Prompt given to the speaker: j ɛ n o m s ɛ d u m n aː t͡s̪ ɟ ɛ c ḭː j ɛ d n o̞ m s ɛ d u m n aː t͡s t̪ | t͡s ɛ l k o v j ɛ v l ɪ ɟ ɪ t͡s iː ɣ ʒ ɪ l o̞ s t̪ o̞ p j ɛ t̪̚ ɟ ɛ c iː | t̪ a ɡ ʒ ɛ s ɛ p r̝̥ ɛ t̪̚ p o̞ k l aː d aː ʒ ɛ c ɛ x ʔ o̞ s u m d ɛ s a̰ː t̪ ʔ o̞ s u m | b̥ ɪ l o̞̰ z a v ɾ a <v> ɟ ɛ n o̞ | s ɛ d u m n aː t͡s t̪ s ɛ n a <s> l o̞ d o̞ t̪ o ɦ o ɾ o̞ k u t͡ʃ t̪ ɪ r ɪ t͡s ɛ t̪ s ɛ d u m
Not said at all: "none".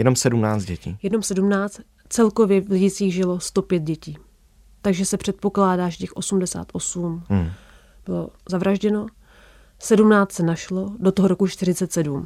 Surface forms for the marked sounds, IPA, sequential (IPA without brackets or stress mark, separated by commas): ʒ, ʃ